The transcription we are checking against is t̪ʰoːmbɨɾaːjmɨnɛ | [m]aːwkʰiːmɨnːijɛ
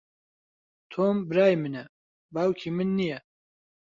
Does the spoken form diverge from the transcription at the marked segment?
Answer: yes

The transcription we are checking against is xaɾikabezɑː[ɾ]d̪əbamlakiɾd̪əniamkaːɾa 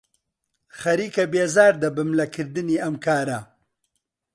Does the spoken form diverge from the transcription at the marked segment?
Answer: no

